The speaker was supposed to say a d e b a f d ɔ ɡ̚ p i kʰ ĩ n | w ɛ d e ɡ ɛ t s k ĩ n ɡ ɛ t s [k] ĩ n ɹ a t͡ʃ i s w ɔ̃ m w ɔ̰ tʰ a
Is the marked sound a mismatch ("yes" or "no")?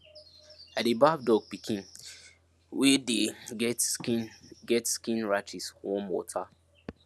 no